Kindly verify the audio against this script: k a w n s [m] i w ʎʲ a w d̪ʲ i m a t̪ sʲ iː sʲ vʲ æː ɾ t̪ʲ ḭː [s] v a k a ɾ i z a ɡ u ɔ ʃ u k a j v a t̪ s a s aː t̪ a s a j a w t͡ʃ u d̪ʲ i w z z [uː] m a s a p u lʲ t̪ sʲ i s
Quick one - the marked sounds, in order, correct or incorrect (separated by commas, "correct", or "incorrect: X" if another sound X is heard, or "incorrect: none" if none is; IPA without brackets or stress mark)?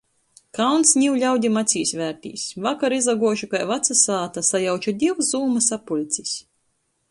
incorrect: ɲ, correct, correct